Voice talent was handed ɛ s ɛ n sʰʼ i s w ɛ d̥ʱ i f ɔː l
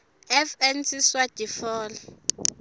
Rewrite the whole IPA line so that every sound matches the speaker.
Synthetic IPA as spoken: ɛ f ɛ n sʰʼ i s w a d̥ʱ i f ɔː l